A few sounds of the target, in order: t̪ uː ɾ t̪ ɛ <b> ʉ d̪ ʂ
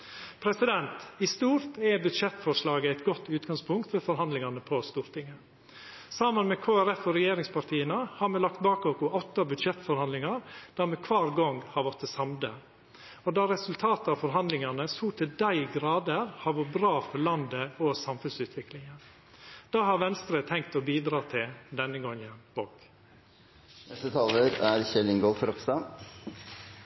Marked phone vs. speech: correct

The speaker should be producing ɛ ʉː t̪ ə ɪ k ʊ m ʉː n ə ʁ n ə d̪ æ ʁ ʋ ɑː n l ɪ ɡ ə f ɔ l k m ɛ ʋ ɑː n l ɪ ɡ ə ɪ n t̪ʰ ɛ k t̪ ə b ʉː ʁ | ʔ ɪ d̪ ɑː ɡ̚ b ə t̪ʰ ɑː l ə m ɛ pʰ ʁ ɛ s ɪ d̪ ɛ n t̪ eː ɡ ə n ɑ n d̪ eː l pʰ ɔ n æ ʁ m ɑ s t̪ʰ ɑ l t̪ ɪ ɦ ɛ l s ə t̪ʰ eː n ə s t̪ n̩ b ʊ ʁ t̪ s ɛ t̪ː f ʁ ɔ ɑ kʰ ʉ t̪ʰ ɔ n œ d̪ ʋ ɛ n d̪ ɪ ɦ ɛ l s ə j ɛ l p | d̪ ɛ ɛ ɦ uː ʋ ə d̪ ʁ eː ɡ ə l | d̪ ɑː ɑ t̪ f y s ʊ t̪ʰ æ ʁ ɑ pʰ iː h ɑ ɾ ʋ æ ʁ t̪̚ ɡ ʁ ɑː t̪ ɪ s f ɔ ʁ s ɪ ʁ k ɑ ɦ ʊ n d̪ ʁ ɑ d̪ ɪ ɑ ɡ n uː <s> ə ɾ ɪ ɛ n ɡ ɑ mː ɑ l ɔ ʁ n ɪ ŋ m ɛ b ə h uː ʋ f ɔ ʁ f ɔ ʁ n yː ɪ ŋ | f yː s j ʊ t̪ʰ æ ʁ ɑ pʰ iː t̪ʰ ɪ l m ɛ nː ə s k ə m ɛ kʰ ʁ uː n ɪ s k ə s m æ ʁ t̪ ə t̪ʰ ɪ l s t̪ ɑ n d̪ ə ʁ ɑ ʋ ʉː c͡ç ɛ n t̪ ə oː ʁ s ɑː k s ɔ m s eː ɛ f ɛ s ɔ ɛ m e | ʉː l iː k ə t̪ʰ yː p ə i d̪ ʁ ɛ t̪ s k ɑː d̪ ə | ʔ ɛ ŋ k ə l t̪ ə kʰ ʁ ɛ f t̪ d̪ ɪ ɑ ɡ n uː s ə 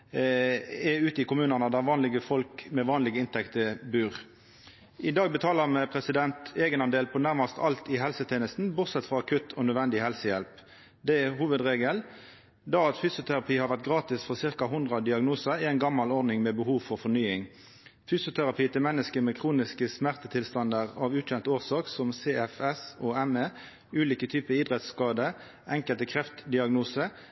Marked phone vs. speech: correct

